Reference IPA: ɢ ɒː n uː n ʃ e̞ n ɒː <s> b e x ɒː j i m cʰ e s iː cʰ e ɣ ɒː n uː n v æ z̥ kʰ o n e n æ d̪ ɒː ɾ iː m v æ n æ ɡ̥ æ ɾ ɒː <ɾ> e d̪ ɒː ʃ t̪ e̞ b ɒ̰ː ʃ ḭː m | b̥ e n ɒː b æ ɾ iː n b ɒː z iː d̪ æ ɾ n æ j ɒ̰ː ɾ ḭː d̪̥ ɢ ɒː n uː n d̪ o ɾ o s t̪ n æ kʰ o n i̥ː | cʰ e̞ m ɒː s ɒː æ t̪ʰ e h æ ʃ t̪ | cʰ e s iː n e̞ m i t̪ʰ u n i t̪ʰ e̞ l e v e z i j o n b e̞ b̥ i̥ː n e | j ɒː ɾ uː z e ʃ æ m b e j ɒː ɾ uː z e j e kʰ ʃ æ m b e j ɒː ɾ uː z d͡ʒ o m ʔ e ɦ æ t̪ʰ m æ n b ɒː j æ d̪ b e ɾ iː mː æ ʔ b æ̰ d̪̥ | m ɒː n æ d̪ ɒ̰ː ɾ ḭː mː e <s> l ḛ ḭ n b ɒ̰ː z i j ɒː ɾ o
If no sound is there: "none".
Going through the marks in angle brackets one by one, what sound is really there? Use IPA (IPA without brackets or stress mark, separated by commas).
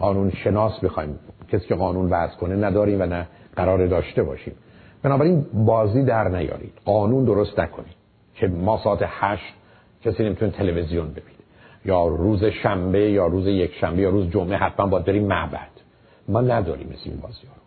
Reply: s, ɾ, s